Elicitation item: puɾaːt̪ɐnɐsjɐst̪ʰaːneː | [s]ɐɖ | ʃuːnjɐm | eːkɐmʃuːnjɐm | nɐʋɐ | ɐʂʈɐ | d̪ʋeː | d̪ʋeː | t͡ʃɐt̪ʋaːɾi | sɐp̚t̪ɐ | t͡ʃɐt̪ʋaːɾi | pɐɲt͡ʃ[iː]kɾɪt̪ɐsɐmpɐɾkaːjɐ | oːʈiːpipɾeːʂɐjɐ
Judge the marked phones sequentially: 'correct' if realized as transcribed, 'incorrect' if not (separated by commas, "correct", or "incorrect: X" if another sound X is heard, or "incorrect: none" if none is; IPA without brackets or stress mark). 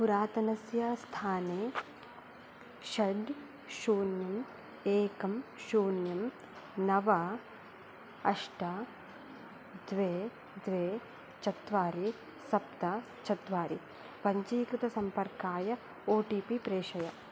incorrect: ʃ, correct